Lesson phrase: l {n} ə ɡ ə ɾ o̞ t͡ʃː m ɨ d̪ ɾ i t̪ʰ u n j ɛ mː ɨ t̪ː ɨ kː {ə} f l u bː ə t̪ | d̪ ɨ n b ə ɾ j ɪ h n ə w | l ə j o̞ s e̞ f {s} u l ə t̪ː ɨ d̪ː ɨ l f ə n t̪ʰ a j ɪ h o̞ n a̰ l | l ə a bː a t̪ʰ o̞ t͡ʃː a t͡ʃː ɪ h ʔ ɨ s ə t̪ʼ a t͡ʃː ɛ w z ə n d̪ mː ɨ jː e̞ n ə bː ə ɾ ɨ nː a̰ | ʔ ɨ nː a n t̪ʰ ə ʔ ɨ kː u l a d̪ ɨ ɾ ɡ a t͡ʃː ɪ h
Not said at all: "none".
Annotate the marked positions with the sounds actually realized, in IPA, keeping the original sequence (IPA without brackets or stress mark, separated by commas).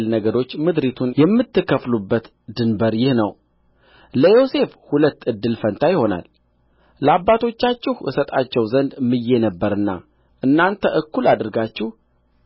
n, ə, h